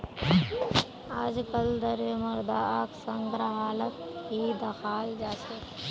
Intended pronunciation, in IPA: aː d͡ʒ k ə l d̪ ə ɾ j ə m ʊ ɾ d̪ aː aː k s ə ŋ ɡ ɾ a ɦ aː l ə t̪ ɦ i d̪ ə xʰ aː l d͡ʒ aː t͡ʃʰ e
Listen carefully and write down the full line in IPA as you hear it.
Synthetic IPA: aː d͡ʒ k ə l d̪ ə ɾ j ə m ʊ ɾ d̪ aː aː k s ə ŋ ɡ ɾ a ɦ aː l ə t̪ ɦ i d̪ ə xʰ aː l d͡ʒ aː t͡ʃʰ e